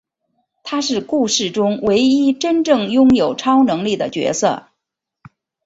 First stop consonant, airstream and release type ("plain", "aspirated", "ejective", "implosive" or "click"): aspirated